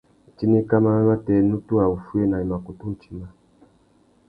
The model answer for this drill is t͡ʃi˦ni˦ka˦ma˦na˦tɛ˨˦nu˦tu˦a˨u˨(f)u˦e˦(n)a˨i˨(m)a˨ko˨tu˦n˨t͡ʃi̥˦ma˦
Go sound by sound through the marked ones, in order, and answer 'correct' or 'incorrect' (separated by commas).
correct, correct, correct